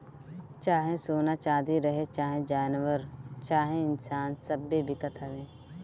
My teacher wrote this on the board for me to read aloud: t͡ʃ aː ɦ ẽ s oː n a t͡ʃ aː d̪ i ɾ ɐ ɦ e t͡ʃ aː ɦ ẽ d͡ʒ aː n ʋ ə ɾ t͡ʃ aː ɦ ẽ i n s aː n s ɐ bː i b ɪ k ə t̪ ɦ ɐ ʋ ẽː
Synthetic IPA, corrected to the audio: t͡ʃ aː ɦ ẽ s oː n a t͡ʃ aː d̪ i ɾ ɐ ɦ e t͡ʃ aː ɦ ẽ d͡ʒ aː n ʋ ə ɾ t͡ʃ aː ɦ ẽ ɪ n s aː n s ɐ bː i b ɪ k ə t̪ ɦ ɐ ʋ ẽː